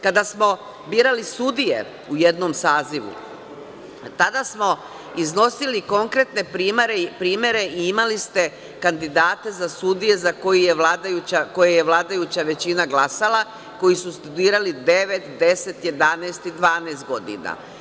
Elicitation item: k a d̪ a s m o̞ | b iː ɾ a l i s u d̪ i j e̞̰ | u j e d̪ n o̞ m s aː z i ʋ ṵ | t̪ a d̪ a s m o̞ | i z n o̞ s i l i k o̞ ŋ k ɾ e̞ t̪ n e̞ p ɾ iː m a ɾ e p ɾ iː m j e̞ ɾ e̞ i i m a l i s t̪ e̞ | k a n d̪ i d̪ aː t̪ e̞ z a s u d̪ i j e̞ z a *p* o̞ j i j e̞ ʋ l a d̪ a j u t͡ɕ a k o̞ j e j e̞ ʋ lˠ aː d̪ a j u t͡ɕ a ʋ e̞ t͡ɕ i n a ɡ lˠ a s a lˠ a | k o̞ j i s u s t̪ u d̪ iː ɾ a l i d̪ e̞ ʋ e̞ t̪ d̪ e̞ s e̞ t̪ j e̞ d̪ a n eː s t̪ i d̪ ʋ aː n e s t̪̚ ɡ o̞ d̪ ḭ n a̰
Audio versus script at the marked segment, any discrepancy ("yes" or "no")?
yes